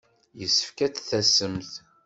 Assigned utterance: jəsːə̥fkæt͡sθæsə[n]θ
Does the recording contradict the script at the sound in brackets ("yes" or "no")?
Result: yes